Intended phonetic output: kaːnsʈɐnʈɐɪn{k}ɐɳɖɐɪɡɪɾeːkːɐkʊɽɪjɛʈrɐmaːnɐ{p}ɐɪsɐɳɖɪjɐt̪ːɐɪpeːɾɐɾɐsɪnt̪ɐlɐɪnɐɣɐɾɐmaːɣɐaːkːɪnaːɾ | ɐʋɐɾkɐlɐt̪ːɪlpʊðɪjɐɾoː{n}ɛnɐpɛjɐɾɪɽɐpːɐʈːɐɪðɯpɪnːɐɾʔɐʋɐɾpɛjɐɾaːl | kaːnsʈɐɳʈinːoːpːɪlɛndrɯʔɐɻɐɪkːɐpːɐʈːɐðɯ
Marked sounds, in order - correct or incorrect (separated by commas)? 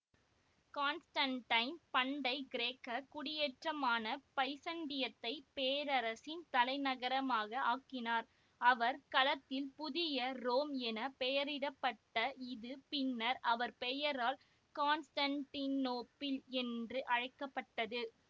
incorrect, correct, incorrect